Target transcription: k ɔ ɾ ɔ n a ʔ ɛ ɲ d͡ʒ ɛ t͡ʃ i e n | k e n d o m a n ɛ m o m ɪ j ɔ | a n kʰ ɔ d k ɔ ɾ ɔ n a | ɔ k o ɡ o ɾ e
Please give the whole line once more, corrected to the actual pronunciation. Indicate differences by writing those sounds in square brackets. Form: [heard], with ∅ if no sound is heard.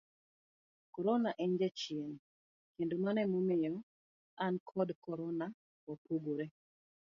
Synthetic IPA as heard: k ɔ ɾ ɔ n a ʔ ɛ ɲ d͡ʒ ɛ t͡ʃ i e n | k e n d o m a n ɛ m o m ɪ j ɔ | a n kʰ ɔ d k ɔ ɾ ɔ n a | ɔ [p] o ɡ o ɾ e